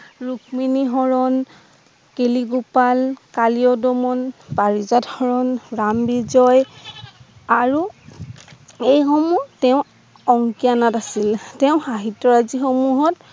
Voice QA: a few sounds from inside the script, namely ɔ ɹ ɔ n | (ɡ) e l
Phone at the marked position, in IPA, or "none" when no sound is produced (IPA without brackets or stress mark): k